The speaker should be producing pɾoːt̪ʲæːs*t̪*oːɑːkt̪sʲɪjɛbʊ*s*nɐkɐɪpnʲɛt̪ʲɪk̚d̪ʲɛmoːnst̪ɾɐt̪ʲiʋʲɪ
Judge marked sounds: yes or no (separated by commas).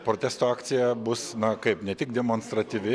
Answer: yes, yes